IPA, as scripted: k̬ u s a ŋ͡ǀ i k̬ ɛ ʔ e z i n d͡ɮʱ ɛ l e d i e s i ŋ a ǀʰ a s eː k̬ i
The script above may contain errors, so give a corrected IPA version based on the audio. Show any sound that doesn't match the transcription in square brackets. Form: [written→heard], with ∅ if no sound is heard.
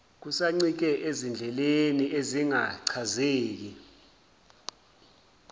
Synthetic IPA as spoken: k̬ u s a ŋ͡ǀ i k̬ ɛ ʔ e z i n d͡ɮʱ ɛ l e [d→n] i e [s→z] i ŋ a ǀʰ a [s→z] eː k̬ i